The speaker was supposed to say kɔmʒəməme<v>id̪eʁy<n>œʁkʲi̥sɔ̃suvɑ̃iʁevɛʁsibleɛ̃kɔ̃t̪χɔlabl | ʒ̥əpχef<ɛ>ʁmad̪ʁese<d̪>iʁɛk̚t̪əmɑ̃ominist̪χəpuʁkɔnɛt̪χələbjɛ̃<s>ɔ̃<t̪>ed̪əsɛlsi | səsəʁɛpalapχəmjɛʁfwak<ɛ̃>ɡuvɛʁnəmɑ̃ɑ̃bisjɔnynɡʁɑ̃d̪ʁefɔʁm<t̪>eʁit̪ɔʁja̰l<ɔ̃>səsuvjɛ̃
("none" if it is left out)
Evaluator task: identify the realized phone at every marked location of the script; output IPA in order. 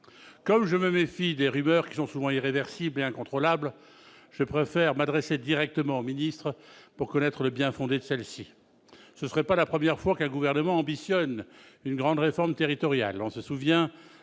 f, m, ɛ, d̪, f, d̪, ɛ̃, t̪, ɔ̃

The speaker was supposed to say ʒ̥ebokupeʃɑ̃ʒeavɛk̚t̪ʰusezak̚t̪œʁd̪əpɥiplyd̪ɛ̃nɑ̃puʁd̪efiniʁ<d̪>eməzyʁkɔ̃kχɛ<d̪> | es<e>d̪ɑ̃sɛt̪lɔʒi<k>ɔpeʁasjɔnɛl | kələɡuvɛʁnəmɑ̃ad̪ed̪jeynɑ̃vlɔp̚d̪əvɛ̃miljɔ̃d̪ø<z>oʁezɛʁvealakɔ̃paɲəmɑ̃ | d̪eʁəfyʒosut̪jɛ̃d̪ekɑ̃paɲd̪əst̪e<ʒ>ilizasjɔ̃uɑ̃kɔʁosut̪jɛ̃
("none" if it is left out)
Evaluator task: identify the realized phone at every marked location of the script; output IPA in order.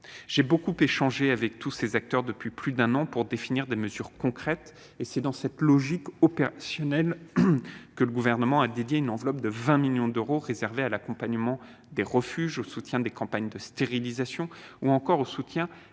d̪, t̪, ɛ, k, ʁ, ʁ

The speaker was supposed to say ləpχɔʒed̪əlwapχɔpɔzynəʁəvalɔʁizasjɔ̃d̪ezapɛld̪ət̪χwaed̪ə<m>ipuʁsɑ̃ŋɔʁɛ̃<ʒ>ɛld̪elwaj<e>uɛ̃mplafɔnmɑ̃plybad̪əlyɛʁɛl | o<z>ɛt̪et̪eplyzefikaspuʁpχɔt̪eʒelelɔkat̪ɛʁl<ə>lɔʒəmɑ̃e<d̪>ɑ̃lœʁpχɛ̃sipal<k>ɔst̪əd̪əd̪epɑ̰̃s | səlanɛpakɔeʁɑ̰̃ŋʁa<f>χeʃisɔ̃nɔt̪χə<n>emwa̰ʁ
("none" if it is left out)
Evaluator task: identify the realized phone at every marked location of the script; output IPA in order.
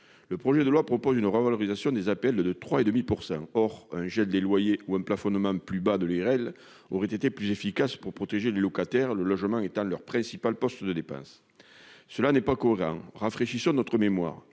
m, ʒ, e, ʁ, ə, t̪, p, f, m

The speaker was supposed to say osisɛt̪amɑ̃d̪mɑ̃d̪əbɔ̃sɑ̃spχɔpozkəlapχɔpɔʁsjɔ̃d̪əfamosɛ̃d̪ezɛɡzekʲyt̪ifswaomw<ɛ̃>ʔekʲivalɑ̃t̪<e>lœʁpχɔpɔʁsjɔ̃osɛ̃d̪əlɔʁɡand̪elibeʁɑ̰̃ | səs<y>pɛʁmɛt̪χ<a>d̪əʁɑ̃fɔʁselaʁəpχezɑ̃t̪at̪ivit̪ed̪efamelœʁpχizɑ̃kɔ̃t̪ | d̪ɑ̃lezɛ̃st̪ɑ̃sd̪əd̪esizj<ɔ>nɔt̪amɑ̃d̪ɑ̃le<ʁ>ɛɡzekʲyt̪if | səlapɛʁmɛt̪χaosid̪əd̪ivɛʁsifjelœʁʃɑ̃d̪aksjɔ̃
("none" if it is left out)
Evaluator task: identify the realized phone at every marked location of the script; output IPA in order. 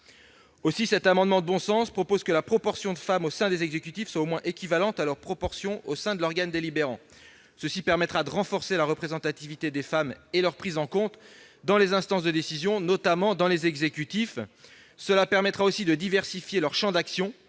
ɛ̃, a, i, a, ɔ̃, z

